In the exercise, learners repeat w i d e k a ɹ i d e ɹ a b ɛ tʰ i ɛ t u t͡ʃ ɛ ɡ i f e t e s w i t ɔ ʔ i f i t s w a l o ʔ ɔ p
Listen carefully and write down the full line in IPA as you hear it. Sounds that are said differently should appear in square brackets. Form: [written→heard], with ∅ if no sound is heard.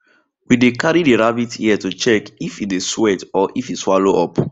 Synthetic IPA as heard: w i d e k a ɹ i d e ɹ a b [ɛ→i] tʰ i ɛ t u t͡ʃ ɛ [ɡ→k] i f [e→i] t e s w [i→ɛ] t ɔ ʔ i f i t s w a l o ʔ ɔ p

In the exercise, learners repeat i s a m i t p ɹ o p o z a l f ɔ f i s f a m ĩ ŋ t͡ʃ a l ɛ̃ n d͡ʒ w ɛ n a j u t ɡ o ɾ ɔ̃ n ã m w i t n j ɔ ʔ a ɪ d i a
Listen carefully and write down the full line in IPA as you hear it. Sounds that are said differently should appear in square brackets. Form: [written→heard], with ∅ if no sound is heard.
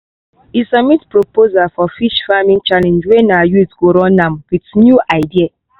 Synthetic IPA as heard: i s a m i t p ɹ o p o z a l f ɔ f i [s→ʃ] f a m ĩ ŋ t͡ʃ a l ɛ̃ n d͡ʒ w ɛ n a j u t ɡ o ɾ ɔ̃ n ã m w i t n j [ɔ→u] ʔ a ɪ d i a

